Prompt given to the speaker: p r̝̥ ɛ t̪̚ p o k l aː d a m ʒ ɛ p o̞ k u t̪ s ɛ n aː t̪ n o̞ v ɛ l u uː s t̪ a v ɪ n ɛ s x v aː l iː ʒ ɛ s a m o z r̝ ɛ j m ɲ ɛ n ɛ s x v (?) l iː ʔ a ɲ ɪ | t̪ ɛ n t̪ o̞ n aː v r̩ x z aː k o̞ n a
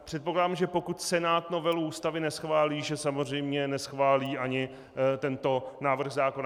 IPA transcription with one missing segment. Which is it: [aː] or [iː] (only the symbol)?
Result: aː